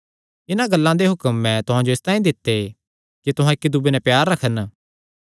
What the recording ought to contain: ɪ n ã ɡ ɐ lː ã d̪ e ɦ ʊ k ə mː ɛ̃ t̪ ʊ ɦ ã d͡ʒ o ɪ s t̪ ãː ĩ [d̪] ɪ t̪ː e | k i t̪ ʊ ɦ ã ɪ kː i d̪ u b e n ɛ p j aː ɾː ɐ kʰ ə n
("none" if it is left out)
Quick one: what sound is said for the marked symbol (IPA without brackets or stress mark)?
d̪